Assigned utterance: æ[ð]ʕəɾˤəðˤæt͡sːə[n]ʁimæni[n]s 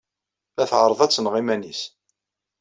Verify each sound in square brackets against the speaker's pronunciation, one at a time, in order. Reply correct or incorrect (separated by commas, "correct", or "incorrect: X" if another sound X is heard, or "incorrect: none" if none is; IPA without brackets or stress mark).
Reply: incorrect: θ, correct, incorrect: none